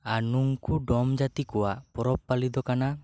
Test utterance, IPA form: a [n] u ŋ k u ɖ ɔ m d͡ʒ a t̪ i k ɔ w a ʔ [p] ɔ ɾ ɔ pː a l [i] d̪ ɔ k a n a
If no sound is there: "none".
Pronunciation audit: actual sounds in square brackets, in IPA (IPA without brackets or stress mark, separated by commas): n, p, i